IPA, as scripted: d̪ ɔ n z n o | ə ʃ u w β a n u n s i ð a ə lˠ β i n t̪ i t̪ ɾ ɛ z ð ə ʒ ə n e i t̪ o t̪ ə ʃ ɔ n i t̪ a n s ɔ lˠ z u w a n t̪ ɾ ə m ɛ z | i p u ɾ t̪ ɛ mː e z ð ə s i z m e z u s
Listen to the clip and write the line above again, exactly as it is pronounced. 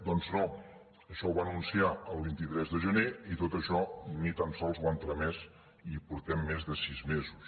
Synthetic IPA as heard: d̪ ɔ n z n o | ə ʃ ɔ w β a n u n s i a ə lˠ β i n t̪ i t̪ ɾ ɛ z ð ə ʒ ə n e i t̪ o t̪ ə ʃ ɔ n i t̪ a n s ɔ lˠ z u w a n t̪ ɾ ə m ɛ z | i p u ɾ t̪ ɛ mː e z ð ə s i z m e z u s